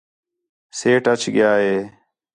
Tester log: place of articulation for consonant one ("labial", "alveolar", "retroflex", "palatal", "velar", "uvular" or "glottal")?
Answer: alveolar